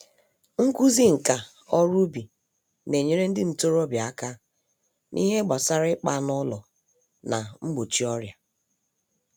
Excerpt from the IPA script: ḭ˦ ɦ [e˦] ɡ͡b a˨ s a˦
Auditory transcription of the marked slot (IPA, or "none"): e˦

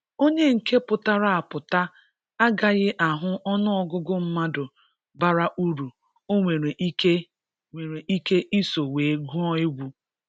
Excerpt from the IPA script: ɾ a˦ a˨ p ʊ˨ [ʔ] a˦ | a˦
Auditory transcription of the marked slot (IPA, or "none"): t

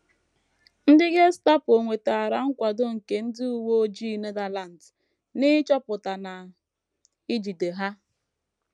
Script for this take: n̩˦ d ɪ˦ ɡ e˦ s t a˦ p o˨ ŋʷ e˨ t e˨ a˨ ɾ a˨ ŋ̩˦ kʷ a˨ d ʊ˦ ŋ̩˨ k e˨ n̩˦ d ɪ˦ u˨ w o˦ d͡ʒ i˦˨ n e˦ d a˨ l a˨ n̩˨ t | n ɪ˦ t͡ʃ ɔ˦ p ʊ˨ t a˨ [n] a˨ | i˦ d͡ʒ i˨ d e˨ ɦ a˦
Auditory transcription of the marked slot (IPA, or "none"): n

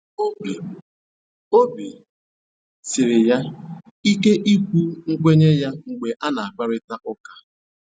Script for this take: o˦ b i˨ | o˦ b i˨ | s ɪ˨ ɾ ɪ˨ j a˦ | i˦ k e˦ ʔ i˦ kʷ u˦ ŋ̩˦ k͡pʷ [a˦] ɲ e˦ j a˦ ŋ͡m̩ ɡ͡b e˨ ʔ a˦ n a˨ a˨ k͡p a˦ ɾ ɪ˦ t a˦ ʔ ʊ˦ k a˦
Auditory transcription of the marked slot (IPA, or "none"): e˦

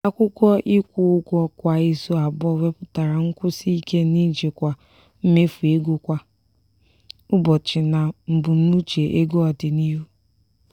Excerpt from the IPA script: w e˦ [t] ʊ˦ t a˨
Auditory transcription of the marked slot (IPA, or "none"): p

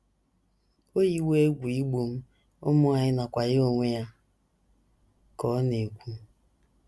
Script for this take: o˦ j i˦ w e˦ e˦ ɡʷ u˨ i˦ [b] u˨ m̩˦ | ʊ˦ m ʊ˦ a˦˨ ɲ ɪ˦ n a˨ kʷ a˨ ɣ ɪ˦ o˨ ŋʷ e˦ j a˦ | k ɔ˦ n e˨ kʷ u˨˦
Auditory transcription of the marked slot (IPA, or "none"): ɡ͡b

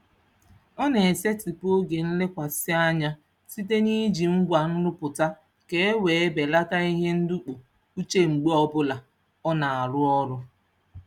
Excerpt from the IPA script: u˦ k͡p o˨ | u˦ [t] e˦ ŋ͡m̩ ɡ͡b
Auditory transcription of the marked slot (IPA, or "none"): t͡ʃ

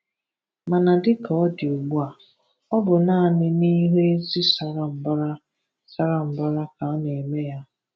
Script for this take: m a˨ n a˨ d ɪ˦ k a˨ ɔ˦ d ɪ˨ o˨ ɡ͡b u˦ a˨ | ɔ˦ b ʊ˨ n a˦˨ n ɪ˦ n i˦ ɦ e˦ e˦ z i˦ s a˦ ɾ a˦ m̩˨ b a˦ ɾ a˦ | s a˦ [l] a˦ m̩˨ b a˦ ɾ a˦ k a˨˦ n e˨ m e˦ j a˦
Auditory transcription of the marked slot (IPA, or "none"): ɾ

